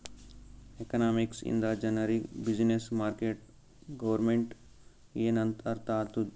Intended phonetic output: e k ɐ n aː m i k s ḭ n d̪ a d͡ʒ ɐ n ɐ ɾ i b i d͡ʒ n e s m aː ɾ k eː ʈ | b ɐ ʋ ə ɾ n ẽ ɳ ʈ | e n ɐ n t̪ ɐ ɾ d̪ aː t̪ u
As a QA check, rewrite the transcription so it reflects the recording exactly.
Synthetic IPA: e k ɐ n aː m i k s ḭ n d̪ a d͡ʒ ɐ n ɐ ɾ i b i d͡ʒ n e s m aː ɾ k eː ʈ | ɡ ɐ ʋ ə ɾ m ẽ ɳ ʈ | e n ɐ n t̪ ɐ ɾ t̪ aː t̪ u